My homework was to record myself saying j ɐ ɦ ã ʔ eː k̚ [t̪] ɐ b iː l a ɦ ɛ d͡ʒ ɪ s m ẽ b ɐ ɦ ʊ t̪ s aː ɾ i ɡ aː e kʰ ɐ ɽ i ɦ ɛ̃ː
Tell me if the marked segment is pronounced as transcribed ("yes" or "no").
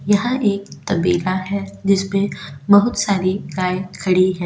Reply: yes